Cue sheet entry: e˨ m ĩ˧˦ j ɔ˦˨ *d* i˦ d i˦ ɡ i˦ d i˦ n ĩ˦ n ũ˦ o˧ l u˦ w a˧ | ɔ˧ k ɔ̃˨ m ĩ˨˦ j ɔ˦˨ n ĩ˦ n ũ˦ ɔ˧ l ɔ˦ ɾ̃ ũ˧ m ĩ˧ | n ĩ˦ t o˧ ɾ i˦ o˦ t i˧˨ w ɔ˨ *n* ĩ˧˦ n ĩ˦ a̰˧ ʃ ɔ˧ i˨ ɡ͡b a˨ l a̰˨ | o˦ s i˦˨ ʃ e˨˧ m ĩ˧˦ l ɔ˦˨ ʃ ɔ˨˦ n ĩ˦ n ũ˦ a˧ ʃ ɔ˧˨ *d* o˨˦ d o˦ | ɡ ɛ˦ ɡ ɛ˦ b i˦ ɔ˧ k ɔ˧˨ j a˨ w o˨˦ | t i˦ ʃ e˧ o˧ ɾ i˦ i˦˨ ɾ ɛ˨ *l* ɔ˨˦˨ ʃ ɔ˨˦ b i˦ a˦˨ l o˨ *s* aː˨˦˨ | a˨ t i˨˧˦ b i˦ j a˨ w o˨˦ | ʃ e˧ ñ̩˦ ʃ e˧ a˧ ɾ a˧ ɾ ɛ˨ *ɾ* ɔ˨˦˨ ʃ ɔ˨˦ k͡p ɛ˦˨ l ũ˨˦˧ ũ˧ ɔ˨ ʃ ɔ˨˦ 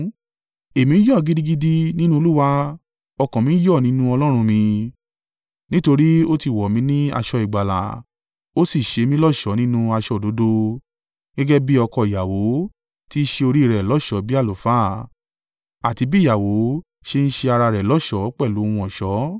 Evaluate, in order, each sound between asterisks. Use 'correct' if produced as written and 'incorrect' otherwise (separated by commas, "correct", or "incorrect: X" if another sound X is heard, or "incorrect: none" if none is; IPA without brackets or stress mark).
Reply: incorrect: ɡ, incorrect: m, correct, correct, incorrect: f, incorrect: l